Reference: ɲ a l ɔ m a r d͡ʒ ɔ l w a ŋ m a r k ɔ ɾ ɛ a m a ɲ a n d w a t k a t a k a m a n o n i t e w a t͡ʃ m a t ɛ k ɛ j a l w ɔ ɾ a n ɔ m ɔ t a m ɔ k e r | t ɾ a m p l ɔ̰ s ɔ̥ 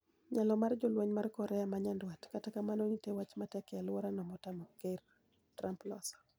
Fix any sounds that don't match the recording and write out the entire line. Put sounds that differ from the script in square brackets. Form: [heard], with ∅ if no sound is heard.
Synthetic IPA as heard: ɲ a l ɔ m a r d͡ʒ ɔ l w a [ɲ] m a r k ɔ ɾ ɛ a m a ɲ a n d w a t k a t a k a m a n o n i t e w a t͡ʃ m a t ɛ k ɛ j a l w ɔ ɾ a n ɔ m ɔ t a m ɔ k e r | t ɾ a m p l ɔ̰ s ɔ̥

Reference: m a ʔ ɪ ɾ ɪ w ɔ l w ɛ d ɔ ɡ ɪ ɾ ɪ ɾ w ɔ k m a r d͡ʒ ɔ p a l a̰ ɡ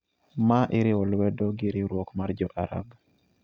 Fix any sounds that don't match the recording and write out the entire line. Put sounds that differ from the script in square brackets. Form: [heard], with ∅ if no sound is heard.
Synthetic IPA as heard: m a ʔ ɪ ɾ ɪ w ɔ l w ɛ d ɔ ɡ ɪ ɾ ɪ ɾ w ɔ k m a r d͡ʒ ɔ [ʔ] a [ɾ] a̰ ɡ

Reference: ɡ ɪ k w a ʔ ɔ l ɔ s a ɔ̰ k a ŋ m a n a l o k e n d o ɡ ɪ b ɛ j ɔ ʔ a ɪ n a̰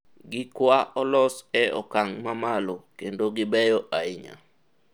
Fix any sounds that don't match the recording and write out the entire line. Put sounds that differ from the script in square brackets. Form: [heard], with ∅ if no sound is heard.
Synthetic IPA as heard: ɡ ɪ k w a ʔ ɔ l ɔ s [ɛ] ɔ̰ k a ŋ m a [m] a l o k e n d o ɡ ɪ b ɛ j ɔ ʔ a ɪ [ɲ] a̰

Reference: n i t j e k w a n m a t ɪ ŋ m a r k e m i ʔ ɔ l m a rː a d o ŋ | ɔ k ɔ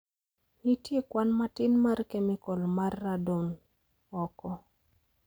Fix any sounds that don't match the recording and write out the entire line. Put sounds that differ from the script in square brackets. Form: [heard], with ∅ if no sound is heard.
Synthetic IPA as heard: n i t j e k w a n m a t ɪ [n] m a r k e m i [k] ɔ l m a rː a d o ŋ | ɔ k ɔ

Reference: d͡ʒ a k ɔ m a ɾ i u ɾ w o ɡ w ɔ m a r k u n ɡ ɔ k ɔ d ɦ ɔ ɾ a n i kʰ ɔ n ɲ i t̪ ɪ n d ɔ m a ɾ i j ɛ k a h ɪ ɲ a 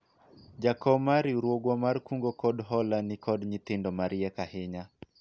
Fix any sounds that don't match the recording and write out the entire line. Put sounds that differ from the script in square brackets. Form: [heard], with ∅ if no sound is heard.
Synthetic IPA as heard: d͡ʒ a k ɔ m a ɾ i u ɾ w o ɡ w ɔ m a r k u [ŋ] ɡ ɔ k ɔ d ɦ ɔ [l] a n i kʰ ɔ [d] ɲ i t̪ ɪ n d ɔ m a ɾ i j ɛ k a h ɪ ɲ a

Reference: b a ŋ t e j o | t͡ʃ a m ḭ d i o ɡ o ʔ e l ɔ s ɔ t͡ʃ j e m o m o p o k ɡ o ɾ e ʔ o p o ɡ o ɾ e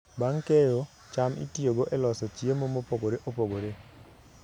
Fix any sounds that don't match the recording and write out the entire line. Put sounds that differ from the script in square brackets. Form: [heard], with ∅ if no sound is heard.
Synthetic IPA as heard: b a ŋ [k] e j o | t͡ʃ a m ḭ [t] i o ɡ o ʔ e l ɔ s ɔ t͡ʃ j e m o m o p o [∅] ɡ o ɾ e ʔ o p o ɡ o ɾ e

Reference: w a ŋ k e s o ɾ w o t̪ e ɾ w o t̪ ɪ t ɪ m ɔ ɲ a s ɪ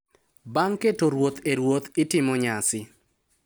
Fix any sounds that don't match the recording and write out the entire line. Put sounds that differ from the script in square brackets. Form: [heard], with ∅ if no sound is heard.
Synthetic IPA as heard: [b] a ŋ k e [t] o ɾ w o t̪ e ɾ w o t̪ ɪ t ɪ m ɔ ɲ a s ɪ

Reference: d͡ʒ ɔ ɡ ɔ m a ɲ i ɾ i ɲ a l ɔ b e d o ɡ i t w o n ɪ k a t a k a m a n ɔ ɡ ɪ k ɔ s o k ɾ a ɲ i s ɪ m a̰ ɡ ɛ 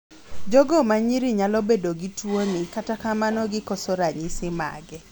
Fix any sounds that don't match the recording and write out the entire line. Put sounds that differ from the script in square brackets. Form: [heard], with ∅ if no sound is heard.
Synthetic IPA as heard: d͡ʒ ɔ ɡ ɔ m a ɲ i ɾ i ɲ a l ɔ b e d o ɡ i t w o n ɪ k a t a k a m a n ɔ ɡ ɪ k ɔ s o [∅] ɾ a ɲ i s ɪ m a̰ ɡ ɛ

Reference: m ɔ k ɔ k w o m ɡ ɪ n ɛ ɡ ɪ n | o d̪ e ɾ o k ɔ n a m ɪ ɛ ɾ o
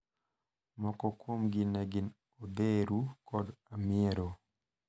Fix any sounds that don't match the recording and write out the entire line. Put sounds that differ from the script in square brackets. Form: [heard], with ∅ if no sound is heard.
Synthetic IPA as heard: m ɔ k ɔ k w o m ɡ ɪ n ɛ ɡ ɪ n | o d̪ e ɾ [u] k ɔ [d] a m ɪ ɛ ɾ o

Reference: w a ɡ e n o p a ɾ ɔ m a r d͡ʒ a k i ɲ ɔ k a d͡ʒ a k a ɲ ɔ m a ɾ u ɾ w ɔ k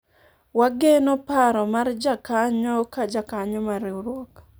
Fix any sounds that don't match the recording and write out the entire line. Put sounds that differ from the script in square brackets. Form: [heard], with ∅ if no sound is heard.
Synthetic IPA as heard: w a ɡ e n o p a ɾ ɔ m a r d͡ʒ a k [a] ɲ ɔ k a d͡ʒ a k a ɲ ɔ m a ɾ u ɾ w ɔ k

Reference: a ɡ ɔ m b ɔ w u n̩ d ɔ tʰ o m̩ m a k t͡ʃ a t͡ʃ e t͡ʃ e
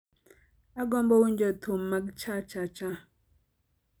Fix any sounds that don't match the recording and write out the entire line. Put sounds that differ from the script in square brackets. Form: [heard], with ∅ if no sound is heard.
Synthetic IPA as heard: a ɡ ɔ m b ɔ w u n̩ [d͡ʒ] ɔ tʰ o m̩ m a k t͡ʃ a t͡ʃ [a] t͡ʃ [a]

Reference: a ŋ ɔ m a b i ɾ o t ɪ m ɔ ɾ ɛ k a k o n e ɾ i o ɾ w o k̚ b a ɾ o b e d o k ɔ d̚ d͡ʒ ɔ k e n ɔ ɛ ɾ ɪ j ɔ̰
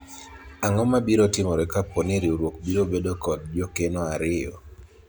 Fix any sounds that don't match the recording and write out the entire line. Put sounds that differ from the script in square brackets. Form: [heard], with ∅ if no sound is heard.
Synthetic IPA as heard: a ŋ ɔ m a b i ɾ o t ɪ m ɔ ɾ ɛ k a [p] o n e ɾ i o ɾ w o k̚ b [i] ɾ o b e d o k ɔ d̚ d͡ʒ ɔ k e n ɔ [a] ɾ ɪ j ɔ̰

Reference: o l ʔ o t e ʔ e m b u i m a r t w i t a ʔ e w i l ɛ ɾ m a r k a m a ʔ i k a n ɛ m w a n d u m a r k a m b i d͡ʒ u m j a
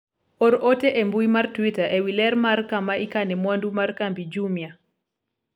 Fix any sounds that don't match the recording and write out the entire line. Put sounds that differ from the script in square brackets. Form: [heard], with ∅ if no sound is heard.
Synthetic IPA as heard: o [ɾ] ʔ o t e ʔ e m b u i m a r t w i t a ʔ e w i l ɛ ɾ m a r k a m a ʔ i k a n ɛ m w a n d u m a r k a m b i d͡ʒ u m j a

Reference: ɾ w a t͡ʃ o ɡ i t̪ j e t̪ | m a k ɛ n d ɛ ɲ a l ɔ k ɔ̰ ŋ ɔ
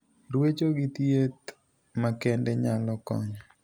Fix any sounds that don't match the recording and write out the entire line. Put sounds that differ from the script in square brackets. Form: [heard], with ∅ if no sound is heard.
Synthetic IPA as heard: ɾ w [e] t͡ʃ o ɡ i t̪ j e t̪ | m a k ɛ n d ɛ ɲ a l ɔ k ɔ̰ [ɲ] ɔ

